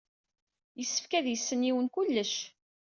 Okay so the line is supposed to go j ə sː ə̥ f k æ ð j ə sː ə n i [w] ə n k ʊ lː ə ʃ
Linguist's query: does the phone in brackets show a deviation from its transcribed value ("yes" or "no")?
no